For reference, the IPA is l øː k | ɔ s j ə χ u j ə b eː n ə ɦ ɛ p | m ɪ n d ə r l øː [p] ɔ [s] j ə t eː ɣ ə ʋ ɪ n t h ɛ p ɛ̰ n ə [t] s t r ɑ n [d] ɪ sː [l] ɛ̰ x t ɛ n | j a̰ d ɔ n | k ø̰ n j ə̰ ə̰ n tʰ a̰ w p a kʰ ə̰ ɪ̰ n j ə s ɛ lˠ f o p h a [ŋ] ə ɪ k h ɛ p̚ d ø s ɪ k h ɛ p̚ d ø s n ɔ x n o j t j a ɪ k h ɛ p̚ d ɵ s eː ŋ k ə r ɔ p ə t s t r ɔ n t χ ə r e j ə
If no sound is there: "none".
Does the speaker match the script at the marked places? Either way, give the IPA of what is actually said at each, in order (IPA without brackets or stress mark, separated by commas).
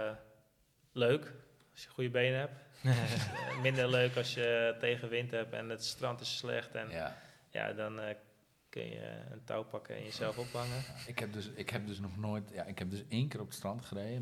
k, s, t, t, l, ŋ